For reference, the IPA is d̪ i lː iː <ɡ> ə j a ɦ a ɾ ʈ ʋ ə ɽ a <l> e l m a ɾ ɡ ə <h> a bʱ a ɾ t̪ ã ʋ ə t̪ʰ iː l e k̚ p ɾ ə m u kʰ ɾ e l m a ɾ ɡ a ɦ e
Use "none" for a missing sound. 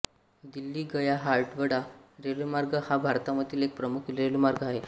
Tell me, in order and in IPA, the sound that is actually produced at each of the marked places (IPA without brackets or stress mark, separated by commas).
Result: ɡ, ɾ, h